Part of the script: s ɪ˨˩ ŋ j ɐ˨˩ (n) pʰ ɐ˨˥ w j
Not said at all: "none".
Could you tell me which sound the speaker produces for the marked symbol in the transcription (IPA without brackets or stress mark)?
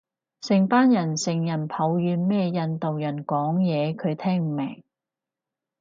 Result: n